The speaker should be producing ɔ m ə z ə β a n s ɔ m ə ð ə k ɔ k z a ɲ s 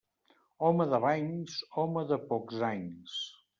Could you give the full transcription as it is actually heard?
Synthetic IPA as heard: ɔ m ə ð ə β a ɲ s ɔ m ə ð ə p ɔ k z a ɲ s